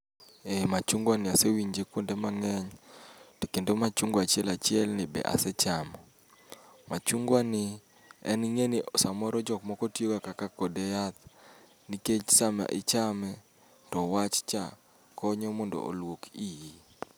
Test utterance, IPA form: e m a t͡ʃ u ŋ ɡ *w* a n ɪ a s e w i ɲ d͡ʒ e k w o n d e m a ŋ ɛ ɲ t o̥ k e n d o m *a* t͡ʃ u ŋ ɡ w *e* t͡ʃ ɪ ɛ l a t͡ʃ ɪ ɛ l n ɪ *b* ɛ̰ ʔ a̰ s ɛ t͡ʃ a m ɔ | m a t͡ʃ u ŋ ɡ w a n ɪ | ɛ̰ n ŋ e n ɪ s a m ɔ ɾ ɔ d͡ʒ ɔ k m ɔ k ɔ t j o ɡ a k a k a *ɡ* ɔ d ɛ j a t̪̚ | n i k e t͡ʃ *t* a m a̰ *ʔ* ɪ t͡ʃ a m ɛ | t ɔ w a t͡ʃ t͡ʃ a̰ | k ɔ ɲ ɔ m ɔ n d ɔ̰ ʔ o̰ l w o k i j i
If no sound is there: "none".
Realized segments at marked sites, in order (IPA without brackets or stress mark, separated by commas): w, a, a, b, k, s, ʔ